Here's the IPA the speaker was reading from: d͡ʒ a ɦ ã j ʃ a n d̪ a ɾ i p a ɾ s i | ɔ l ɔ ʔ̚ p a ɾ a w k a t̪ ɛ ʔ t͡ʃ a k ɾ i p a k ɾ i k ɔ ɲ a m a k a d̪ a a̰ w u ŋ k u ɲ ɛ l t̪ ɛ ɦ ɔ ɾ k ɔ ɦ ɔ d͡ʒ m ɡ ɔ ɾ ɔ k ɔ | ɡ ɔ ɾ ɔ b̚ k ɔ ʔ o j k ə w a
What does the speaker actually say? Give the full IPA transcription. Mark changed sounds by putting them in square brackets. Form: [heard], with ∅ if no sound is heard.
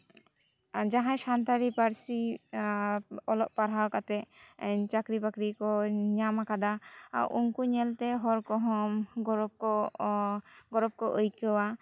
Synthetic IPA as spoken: d͡ʒ a ɦ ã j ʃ a n [t̪] a ɾ i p a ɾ s i | ɔ l ɔ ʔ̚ p a ɾ a w k a t̪ ɛ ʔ t͡ʃ a k ɾ i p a k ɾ i k ɔ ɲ a m a k a d̪ a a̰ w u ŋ k u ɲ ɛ l t̪ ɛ ɦ ɔ ɾ k ɔ ɦ ɔ [∅] m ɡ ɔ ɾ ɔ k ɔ | ɡ ɔ ɾ ɔ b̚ k ɔ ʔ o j k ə w a